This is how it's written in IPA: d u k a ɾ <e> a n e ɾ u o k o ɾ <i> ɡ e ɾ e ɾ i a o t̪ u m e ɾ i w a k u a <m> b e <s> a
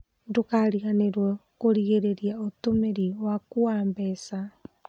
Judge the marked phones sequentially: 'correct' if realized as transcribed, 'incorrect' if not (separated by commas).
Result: incorrect, correct, correct, correct